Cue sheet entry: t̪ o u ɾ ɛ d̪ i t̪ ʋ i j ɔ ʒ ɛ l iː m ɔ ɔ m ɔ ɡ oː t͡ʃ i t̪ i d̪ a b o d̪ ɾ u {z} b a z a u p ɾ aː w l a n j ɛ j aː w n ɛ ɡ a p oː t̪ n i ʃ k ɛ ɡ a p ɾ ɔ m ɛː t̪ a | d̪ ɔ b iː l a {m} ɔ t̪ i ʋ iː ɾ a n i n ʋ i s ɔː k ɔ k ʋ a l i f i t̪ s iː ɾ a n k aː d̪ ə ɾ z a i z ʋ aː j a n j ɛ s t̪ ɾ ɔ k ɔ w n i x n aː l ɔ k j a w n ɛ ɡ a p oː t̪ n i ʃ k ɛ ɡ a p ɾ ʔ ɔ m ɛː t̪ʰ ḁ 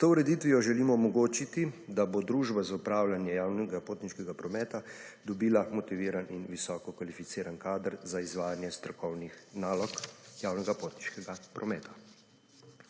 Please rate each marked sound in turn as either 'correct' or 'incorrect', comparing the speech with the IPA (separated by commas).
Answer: incorrect, correct